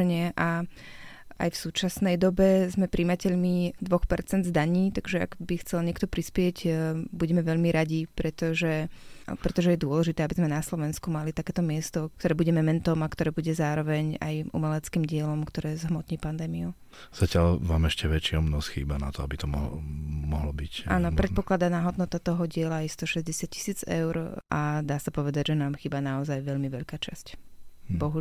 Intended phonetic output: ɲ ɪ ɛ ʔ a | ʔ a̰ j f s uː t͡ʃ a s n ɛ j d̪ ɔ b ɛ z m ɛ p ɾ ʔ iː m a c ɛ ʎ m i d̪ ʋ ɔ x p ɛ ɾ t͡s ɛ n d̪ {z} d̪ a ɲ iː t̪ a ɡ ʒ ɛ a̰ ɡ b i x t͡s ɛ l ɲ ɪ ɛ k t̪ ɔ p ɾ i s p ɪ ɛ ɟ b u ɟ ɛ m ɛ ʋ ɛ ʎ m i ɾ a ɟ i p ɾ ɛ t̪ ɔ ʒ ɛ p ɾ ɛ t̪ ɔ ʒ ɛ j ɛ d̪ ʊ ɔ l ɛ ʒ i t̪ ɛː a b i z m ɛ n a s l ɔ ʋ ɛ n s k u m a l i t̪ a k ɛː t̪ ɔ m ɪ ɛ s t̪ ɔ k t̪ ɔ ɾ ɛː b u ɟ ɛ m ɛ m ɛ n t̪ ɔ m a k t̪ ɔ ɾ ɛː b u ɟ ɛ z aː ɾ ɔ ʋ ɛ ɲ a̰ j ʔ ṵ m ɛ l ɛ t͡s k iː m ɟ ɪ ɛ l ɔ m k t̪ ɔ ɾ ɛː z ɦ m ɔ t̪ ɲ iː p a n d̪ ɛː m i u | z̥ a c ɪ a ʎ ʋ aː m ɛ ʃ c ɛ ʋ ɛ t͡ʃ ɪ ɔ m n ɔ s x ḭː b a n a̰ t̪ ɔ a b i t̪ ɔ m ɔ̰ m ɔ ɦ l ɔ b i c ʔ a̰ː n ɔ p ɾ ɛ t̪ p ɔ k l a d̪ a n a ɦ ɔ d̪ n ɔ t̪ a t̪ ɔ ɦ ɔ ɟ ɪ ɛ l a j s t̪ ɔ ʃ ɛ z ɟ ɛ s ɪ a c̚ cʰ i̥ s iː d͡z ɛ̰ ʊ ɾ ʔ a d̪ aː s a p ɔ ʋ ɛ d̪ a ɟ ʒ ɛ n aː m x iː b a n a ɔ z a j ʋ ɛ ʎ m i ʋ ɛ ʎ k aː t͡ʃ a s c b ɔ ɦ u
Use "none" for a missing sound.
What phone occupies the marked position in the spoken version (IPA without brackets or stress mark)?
z